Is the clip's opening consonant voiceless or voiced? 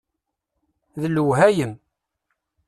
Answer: voiced